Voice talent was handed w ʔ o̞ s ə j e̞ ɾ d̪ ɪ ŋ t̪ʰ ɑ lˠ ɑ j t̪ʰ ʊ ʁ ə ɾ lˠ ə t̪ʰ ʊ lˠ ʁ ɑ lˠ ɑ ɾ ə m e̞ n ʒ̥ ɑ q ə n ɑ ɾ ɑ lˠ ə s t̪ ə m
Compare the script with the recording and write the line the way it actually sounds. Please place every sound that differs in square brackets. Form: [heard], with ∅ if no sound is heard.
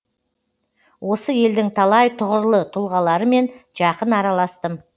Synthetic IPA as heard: w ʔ o̞ s ə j e̞ [l] d̪ ɪ ŋ t̪ʰ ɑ lˠ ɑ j t̪ʰ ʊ ʁ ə ɾ lˠ ə t̪ʰ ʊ lˠ ʁ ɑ lˠ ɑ ɾ ə m e̞ n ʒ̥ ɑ q ə n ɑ ɾ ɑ lˠ [ɑ] s t̪ ə m